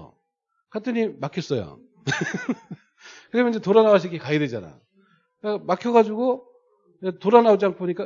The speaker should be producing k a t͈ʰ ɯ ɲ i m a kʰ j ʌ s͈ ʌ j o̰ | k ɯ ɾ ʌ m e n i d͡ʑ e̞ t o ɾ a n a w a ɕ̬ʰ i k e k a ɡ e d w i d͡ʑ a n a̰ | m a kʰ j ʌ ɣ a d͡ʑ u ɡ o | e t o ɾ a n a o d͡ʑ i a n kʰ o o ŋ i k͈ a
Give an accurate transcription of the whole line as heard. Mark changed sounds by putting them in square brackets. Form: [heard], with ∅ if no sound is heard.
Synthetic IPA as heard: k a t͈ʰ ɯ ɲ i m a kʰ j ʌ s͈ ʌ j o̰ | k ɯ ɾ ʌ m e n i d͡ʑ e̞ t o ɾ a n a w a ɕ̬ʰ i k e k a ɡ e d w [e] d͡ʑ a n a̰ | m a kʰ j ʌ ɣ a d͡ʑ u ɡ o | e t o ɾ a n a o d͡ʑ i a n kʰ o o [ɲ] i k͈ a